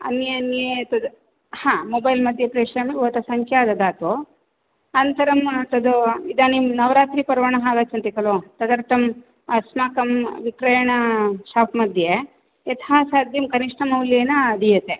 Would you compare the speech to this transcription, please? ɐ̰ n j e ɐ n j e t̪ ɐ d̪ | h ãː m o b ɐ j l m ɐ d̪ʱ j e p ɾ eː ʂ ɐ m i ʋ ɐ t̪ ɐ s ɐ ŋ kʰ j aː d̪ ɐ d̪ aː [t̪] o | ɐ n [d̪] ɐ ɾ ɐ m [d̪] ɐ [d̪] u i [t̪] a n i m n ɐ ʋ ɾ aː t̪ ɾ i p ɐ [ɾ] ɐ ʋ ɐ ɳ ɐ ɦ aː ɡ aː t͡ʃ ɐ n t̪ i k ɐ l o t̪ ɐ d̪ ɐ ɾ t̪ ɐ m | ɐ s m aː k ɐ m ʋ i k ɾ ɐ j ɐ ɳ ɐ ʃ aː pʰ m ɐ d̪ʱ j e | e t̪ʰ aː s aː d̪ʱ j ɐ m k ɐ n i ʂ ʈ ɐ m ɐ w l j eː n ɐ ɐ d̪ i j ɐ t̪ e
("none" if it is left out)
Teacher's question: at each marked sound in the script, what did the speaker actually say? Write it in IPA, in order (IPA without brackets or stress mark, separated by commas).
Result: t̪, t̪, t̪, d̪, d̪, ɾ